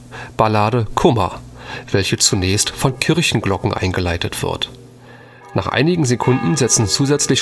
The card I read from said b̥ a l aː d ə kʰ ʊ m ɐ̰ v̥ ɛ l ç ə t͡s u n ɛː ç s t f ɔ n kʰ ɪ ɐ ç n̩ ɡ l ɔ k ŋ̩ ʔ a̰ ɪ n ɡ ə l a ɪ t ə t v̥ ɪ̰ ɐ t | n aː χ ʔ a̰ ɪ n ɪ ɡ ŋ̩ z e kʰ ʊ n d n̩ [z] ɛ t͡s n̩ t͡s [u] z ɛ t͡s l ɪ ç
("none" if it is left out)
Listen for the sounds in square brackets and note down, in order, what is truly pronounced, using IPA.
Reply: z, uː

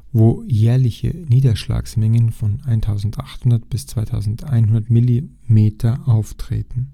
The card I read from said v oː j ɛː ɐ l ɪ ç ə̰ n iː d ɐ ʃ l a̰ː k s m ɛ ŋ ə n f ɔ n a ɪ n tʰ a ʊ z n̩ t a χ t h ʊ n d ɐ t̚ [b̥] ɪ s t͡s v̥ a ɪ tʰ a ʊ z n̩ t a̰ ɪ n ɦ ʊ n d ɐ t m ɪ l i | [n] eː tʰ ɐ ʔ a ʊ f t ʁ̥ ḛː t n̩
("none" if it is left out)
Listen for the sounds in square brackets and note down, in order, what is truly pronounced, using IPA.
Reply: b̥, m

